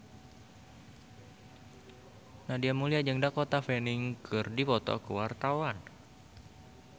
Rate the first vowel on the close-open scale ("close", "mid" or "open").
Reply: open